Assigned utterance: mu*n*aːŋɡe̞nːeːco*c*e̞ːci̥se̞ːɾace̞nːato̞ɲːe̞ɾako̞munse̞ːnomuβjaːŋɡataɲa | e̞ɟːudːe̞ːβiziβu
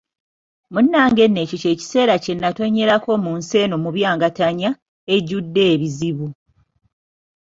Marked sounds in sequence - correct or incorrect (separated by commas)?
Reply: incorrect, correct